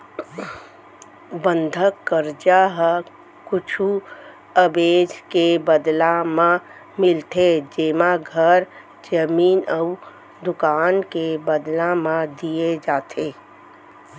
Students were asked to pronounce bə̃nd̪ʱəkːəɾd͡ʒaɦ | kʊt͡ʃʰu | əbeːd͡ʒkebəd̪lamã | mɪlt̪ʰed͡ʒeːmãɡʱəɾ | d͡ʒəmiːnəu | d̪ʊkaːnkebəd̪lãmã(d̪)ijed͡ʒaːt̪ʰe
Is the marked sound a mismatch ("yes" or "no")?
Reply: no